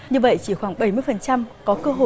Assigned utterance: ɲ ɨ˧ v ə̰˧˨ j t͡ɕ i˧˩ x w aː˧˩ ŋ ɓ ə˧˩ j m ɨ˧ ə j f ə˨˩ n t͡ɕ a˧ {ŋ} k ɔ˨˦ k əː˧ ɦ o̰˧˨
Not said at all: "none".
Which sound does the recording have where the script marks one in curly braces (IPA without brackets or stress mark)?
m